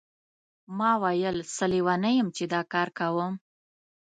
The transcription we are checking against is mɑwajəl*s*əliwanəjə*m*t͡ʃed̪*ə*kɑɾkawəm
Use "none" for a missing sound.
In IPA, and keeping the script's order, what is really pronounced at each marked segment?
s, m, ɑ

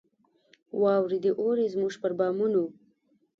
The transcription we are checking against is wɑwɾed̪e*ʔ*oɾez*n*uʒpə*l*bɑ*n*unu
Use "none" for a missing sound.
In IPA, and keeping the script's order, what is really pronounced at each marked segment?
ʔ, m, ɾ, m

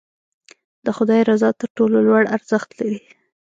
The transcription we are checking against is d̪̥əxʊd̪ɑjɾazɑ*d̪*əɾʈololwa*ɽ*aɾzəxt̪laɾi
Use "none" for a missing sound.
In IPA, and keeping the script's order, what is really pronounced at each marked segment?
t̪, ɽ

